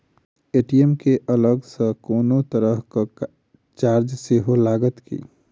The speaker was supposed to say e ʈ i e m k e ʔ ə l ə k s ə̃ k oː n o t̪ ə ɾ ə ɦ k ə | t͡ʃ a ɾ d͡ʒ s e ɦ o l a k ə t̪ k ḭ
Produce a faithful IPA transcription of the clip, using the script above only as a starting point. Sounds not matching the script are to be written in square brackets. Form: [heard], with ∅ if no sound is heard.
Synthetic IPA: e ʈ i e m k e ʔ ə l ə [ɡ] s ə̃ k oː n o t̪ ə ɾ ə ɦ k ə | t͡ʃ a ɾ d͡ʒ s e ɦ o l a [ɡ] ə t̪ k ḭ